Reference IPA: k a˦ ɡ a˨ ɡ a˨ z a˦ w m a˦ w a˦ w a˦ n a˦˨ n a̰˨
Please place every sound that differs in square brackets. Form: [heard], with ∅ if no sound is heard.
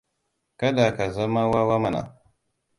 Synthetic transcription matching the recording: k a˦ [d] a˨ [k] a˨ z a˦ [∅] m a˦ w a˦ w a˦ [m] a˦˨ n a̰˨